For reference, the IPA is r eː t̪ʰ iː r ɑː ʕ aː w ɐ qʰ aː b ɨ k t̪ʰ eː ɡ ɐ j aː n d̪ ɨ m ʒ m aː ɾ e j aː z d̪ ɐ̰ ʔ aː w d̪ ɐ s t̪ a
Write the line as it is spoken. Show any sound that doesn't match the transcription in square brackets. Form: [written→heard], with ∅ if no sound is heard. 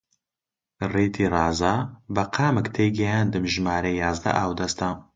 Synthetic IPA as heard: r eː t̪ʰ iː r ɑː [ʕ→z] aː [w→b] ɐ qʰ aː [b→m] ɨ k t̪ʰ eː ɡ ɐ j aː n d̪ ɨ m ʒ m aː ɾ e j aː z d̪ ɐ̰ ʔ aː w d̪ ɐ s t̪ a